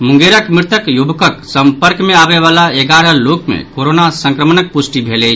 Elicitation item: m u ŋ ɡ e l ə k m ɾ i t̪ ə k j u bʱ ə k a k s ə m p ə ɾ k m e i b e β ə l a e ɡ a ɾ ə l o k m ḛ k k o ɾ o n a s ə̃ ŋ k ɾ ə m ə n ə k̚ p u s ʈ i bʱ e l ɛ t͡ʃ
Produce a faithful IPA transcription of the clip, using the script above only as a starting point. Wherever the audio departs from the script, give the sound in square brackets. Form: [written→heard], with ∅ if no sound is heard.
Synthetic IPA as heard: m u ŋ ɡ e [l→ɾ] ə k m ɾ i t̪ ə k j u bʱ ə k [a→ə] k s ə m p ə ɾ k m e [i→a] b e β [ə→a] l a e ɡ a ɾ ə l o k m ḛ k k o ɾ o n a s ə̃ ŋ k ɾ ə m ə n ə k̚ p u s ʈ i bʱ e l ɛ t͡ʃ

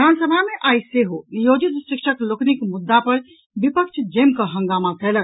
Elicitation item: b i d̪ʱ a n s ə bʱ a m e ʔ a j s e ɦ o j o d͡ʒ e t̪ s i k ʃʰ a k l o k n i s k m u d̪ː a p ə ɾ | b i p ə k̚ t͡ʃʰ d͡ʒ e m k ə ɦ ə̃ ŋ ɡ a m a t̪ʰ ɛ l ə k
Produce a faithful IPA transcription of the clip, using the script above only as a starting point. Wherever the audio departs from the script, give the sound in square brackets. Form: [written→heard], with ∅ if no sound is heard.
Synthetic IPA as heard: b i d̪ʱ a n s ə bʱ a m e ʔ a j s e ɦ o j o d͡ʒ [e→i] t̪ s i k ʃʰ [a→ə] k l o k n i [s→∅] k m u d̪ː a p ə ɾ | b i p ə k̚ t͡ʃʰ d͡ʒ e m k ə ɦ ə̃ ŋ ɡ a m a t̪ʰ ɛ l ə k

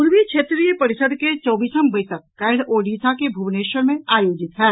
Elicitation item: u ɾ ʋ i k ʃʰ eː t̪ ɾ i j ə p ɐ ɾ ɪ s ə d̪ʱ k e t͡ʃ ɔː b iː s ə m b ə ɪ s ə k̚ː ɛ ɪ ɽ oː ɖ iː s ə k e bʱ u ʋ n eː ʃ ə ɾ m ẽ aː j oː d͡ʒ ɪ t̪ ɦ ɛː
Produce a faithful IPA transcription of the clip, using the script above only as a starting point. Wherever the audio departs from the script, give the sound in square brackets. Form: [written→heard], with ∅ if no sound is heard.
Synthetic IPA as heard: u ɾ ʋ i k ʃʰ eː t̪ ɾ i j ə p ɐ ɾ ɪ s ə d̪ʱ k e t͡ʃ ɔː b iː s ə m b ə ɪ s ə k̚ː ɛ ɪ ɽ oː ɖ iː s [ə→a] k e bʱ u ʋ n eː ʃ ə ɾ m ẽ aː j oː d͡ʒ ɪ t̪ ɦ ɛː

